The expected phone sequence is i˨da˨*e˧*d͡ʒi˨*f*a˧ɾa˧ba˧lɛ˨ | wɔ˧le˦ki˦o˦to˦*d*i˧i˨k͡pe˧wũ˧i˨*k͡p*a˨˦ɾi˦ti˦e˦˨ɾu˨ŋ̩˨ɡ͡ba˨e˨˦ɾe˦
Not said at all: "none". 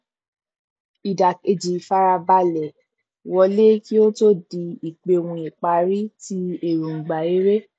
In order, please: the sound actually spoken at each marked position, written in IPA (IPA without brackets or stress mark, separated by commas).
e˧, f, d, k͡p